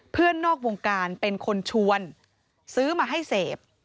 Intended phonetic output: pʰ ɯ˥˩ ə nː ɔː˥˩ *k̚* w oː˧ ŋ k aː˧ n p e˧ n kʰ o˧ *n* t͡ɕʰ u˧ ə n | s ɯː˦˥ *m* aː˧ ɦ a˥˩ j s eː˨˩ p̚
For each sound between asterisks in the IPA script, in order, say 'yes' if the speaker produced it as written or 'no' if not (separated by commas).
yes, yes, yes